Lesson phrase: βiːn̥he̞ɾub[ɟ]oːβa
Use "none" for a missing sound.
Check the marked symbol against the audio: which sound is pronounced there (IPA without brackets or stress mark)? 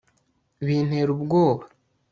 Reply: ɡ